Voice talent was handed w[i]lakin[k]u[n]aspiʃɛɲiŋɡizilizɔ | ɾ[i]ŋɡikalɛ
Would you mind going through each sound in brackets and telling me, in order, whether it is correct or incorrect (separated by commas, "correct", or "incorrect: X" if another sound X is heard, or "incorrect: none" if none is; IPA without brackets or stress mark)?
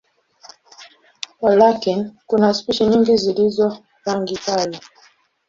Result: incorrect: a, correct, correct, incorrect: a